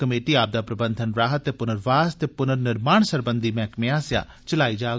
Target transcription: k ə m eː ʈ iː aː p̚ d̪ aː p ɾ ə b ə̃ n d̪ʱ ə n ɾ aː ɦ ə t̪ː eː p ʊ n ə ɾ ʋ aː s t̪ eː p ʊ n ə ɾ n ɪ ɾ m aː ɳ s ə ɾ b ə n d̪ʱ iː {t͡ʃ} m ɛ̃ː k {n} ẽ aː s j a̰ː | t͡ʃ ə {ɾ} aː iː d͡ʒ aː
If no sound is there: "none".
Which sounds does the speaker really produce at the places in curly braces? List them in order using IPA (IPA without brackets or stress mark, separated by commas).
none, m, l